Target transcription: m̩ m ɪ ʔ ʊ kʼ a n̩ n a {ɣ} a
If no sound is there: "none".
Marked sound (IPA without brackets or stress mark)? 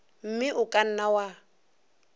w